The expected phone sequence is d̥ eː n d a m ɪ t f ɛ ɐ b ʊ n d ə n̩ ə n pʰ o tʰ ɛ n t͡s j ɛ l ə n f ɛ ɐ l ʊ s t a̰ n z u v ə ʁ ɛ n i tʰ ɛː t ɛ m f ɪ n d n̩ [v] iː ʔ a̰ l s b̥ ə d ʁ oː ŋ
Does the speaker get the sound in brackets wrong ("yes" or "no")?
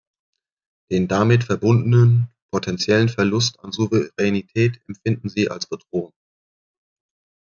yes